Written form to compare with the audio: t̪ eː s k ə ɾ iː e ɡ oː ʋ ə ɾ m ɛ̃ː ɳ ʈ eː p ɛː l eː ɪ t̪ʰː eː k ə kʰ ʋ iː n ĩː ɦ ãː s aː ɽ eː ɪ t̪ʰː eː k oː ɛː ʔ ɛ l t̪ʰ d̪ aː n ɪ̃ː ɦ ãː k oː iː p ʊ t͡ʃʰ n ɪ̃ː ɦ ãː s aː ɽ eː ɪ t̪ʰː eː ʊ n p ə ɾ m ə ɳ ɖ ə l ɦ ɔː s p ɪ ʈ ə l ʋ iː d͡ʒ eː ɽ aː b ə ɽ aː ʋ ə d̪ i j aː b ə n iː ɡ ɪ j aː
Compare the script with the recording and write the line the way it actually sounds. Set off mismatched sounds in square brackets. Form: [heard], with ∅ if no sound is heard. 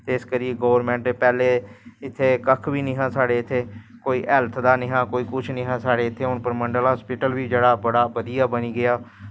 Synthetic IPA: t̪ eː s k ə ɾ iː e ɡ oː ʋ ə ɾ m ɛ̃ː ɳ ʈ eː p ɛː l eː ɪ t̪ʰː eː k ə kʰ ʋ iː n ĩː ɦ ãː s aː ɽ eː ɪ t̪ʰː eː k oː [iː] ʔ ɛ l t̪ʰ d̪ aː n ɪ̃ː ɦ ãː k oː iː [k] ʊ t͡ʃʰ n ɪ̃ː ɦ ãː s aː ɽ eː ɪ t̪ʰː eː ʊ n p ə ɾ m ə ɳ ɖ ə l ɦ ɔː s p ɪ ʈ ə l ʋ iː d͡ʒ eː ɽ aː b ə ɽ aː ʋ ə d̪ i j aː b ə n iː ɡ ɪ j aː